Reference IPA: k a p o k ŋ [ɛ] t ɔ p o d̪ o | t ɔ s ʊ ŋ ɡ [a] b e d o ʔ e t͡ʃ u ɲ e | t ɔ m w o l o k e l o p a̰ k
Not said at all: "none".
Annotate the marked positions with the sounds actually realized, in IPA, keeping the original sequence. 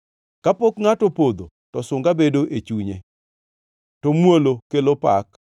a, a

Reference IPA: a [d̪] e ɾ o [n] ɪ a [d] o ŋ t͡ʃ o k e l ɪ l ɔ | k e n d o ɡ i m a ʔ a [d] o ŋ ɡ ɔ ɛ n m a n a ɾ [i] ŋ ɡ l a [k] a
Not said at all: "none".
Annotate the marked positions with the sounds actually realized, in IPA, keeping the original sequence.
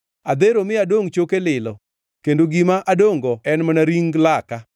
d̪, m, d, d, i, k

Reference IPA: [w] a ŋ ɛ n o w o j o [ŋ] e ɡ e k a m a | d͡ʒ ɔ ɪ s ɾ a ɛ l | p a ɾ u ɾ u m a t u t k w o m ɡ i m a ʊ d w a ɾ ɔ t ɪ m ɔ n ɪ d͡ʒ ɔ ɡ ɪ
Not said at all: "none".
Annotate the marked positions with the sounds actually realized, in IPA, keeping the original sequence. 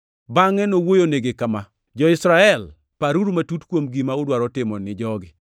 b, n

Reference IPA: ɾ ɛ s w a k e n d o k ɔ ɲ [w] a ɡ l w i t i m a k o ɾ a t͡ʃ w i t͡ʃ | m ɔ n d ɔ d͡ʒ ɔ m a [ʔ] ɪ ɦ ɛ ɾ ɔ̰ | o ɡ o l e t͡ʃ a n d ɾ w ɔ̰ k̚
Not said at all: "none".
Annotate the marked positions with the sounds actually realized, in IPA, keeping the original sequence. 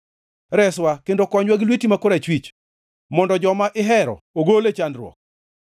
w, ʔ

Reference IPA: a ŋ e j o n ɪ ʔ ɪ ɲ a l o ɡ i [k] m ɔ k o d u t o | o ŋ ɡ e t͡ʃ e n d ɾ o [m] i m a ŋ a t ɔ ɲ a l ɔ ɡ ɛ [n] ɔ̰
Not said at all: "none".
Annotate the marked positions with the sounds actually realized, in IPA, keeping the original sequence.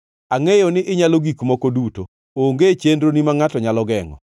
k, n, ŋ

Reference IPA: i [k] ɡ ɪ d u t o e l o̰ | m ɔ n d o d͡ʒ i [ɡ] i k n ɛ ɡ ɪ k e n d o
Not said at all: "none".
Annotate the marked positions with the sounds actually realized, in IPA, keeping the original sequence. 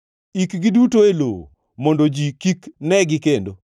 k, k

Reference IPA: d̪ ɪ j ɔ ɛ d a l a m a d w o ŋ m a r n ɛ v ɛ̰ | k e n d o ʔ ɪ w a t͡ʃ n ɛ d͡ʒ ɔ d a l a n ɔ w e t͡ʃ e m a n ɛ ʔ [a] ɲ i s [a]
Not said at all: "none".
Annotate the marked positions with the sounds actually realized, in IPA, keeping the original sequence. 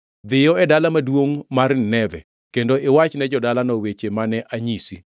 a, i

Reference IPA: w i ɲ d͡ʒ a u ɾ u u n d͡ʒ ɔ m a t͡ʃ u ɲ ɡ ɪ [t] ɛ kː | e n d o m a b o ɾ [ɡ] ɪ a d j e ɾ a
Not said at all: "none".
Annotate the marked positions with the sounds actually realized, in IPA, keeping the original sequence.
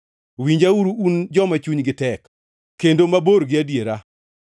t, ɡ

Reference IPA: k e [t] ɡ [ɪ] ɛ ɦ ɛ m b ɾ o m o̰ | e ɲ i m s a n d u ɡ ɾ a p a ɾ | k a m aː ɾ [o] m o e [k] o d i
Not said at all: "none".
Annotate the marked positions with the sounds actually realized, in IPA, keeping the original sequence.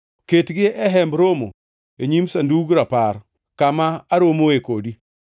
t, ɪ, o, k

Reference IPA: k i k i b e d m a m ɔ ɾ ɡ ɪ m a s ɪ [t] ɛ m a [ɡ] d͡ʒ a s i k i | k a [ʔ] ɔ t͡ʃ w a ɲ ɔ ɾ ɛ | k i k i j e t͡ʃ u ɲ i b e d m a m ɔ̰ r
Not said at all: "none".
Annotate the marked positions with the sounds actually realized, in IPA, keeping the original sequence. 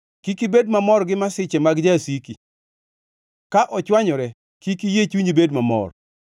t͡ʃ, ɡ, ʔ

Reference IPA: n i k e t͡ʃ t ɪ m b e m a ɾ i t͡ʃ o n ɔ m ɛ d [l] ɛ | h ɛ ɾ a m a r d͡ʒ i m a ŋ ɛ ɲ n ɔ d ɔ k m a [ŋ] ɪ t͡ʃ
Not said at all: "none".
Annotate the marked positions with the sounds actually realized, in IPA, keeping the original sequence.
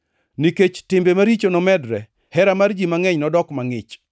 ɾ, ŋ

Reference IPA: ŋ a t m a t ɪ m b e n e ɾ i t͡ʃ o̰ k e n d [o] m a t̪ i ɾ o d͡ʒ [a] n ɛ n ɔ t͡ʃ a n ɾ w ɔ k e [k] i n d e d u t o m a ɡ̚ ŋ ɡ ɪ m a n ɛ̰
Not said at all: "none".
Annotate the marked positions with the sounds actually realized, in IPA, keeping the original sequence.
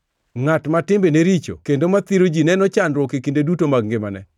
o, i, k

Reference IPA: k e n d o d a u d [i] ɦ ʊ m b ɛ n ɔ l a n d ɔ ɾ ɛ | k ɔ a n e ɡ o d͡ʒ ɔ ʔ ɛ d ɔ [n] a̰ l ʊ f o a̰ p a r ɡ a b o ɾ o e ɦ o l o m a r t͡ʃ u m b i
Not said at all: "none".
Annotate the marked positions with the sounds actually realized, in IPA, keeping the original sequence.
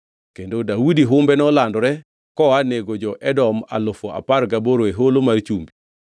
i, m

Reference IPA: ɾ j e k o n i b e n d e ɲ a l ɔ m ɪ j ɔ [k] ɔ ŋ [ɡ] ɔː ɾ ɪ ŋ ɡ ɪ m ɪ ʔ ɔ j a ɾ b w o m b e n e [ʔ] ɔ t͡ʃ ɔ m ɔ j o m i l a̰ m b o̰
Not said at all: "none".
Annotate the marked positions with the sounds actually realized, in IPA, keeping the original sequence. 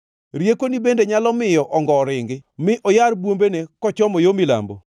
ʔ, ɡ, k

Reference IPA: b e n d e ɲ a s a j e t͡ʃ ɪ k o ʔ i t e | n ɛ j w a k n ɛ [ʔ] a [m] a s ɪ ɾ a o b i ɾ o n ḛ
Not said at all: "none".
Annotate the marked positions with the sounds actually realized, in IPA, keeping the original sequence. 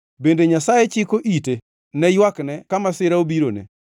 k, m

